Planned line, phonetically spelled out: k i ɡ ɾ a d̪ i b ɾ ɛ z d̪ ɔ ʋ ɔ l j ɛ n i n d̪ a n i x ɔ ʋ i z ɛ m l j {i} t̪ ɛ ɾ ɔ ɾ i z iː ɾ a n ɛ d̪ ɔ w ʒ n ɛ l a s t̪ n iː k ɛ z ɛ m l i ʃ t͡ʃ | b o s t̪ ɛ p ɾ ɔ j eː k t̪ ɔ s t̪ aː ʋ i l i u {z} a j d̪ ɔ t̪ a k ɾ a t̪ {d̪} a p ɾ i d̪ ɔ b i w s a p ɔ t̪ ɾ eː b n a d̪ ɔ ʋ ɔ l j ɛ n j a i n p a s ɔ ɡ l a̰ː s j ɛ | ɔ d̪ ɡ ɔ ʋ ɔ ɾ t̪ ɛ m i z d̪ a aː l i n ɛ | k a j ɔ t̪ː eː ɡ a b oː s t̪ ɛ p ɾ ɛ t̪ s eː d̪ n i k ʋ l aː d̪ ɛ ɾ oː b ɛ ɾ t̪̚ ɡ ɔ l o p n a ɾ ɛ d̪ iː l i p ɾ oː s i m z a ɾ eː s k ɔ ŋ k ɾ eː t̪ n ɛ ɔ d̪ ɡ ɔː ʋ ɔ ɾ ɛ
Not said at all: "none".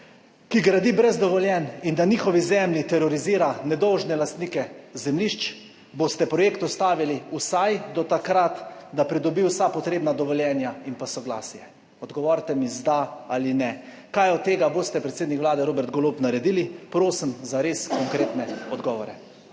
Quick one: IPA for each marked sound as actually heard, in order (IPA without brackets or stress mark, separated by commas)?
i, s, d̪